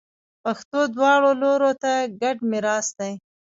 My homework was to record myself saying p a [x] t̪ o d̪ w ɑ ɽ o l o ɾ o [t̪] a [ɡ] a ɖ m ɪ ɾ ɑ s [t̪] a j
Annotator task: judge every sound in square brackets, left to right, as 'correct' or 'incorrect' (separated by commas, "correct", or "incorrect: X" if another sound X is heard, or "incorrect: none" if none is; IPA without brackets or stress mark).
correct, correct, correct, incorrect: d̪